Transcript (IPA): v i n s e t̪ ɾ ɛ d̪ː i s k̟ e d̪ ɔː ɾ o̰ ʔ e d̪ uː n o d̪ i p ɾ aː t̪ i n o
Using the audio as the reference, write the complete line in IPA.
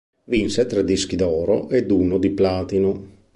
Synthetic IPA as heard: v i n s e t̪ ɾ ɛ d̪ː i s k̟ i d̪ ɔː ɾ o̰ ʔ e d̪ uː n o d̪ i p l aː t̪ i n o